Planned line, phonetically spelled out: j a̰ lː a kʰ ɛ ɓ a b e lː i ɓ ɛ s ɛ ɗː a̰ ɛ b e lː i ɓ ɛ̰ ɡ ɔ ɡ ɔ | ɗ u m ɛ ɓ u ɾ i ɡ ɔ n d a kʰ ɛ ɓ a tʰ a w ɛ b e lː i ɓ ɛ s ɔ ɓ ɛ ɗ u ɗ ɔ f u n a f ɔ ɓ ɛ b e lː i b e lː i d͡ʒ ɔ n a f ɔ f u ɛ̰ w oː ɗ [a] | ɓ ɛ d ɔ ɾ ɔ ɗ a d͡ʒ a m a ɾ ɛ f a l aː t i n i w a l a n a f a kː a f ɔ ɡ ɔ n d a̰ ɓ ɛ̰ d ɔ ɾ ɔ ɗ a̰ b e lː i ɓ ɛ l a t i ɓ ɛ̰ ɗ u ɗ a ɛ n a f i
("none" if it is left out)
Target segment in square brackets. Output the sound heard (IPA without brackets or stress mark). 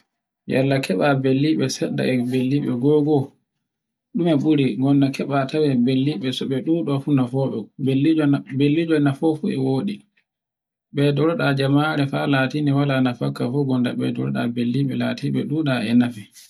i